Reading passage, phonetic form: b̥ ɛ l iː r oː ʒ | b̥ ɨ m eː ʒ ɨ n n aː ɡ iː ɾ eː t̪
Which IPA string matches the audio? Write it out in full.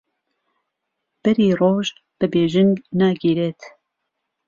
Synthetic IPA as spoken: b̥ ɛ ɾ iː r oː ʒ | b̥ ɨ b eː ʒ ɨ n n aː ɡ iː ɾ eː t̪